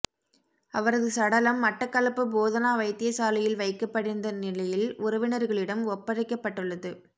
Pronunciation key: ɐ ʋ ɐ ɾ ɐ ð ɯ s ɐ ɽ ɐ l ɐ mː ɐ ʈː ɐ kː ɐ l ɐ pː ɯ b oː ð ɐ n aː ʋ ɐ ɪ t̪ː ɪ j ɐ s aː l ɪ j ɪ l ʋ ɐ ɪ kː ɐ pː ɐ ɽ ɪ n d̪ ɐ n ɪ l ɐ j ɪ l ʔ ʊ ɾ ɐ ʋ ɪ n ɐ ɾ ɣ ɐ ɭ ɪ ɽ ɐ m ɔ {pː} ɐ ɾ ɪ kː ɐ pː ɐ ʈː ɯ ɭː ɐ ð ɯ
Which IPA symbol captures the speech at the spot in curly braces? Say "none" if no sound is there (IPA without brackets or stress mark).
pː